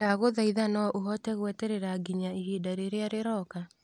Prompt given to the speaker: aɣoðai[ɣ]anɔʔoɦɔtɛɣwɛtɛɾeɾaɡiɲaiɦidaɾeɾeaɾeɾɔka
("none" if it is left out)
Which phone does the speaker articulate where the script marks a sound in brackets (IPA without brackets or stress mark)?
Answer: ð